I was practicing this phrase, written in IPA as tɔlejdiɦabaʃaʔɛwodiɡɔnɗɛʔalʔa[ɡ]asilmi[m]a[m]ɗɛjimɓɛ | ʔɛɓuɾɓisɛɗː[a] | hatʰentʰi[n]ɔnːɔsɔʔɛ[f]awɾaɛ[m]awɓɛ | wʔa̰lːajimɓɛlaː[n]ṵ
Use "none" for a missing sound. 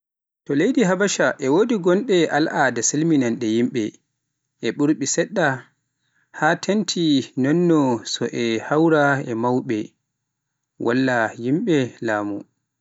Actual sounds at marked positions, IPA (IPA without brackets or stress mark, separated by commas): d, n, n, a, n, h, m, m